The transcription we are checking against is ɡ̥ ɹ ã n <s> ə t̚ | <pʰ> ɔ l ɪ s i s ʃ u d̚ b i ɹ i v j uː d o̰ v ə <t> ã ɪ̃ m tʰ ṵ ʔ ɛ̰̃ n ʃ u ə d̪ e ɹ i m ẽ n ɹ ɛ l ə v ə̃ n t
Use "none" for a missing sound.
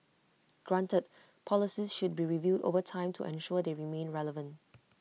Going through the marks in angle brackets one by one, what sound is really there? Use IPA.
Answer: t, pʰ, tʰ

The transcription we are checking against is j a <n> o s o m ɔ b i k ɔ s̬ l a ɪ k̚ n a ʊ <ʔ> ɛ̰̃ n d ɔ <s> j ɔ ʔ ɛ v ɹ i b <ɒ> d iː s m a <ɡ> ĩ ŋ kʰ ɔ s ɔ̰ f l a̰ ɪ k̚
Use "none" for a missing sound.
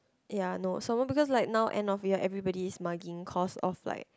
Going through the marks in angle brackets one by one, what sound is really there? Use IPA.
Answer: n, ʔ, f, ɔ, ɡ

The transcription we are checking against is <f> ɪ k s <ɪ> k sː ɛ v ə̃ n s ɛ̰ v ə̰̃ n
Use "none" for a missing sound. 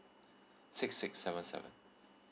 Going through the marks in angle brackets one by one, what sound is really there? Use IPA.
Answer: s, ɪ

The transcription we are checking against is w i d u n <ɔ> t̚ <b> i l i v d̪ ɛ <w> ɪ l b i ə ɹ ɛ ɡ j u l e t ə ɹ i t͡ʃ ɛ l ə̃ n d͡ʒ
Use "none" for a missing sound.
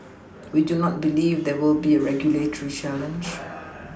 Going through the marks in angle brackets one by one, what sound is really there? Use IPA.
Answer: ɔ, b, w

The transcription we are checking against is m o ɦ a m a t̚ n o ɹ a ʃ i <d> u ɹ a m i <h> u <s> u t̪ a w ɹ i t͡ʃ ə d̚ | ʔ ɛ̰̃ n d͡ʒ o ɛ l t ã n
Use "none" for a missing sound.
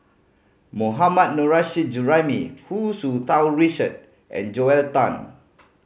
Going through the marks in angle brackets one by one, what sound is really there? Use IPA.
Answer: d͡ʒ, h, s

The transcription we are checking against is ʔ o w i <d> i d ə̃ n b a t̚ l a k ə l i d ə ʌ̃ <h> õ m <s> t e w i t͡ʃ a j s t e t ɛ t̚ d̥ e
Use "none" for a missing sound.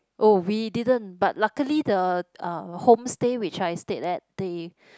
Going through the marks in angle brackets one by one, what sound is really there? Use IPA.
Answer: d, h, s

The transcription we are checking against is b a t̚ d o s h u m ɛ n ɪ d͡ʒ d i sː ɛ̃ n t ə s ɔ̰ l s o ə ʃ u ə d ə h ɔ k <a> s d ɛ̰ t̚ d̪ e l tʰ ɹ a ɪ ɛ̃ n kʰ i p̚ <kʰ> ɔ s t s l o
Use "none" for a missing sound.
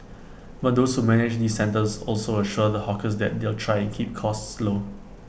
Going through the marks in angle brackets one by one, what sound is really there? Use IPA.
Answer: ə, kʰ

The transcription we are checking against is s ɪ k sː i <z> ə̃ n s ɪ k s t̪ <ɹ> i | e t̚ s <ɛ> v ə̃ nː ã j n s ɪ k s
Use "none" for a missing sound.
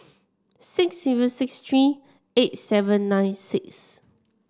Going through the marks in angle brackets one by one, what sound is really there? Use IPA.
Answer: v, ɹ, ɛ

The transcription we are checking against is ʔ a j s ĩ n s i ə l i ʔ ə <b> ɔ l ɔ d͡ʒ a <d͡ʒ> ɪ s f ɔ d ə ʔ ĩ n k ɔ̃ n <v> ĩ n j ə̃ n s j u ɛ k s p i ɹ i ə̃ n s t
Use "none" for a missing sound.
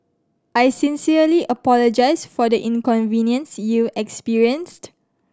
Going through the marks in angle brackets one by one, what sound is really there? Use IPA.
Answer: p, none, v

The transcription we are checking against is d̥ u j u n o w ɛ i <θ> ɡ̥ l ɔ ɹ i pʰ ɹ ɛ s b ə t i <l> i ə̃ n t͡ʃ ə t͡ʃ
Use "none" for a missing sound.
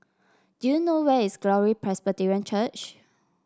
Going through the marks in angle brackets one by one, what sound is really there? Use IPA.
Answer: s, ɹ

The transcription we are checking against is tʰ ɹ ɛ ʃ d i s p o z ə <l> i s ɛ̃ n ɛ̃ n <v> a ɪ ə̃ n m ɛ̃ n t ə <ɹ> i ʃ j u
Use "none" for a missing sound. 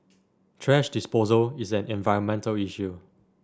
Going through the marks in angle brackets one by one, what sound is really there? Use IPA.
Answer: l, v, l

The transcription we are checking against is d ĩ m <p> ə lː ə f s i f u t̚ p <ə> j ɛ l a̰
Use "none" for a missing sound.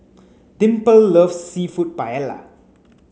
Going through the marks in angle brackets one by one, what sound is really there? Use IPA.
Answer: p, a

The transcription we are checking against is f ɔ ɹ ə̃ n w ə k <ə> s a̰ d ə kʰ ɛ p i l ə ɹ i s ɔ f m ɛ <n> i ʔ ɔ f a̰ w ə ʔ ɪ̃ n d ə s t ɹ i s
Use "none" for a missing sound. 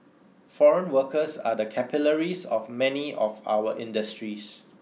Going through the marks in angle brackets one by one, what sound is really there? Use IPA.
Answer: ə, n

